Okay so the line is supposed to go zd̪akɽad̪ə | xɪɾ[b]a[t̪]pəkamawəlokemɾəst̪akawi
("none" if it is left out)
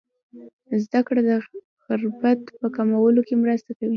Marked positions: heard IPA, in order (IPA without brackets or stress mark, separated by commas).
b, t̪